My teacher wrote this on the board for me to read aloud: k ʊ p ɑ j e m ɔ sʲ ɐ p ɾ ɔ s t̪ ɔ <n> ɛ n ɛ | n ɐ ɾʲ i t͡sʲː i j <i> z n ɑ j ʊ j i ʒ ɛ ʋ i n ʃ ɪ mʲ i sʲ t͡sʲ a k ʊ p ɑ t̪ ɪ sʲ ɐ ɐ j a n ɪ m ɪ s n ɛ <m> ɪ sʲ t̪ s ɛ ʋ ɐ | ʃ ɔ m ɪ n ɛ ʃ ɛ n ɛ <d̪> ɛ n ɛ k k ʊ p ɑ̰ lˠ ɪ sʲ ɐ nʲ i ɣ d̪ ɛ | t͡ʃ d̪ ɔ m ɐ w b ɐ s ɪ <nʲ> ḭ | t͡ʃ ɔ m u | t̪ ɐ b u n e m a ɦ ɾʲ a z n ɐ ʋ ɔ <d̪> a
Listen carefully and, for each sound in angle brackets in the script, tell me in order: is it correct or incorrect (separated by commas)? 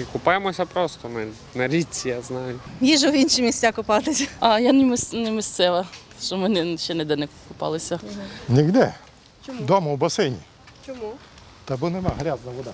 incorrect, incorrect, correct, correct, correct, correct